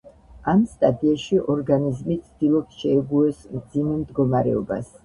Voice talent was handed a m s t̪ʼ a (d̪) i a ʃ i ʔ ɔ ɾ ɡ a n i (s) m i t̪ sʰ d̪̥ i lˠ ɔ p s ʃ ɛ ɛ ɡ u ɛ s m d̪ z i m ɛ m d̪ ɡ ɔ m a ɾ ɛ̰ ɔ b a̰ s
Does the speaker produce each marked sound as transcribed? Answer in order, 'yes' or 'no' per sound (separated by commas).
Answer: yes, no